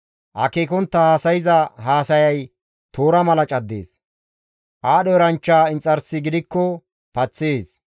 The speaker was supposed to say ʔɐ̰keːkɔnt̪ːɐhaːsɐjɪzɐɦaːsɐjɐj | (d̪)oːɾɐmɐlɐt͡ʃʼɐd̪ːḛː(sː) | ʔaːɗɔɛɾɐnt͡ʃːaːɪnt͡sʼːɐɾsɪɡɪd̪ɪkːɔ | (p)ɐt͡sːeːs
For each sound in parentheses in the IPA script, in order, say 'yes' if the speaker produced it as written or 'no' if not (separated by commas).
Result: no, no, yes